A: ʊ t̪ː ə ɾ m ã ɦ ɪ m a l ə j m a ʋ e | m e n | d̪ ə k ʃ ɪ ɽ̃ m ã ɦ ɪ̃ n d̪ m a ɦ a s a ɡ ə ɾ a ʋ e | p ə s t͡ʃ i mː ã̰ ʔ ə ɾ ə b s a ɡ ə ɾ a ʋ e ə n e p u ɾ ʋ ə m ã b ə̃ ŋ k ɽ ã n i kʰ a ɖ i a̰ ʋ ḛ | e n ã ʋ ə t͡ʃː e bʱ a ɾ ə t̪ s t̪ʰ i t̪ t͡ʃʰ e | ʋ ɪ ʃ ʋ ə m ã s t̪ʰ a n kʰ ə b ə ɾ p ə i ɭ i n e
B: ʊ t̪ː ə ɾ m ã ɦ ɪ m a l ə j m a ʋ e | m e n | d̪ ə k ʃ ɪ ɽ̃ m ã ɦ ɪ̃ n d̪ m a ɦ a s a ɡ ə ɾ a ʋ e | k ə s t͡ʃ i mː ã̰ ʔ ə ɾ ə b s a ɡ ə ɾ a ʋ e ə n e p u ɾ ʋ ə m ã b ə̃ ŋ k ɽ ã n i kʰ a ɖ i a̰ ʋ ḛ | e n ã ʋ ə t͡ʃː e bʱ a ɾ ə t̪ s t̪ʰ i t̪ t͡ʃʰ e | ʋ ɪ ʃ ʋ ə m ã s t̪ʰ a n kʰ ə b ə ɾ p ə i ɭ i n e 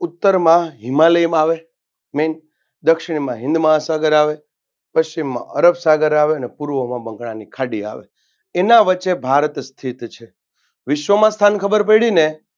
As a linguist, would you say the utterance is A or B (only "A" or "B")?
A